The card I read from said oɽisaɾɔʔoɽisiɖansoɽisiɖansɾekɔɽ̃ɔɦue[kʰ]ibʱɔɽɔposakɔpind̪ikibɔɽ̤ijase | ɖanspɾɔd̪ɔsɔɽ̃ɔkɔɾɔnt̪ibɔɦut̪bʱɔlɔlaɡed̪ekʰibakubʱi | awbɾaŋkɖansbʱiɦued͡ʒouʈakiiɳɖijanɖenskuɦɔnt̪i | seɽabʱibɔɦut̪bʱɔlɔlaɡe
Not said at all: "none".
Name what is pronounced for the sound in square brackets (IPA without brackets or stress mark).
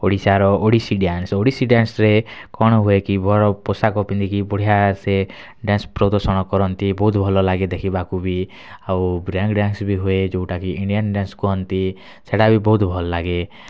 k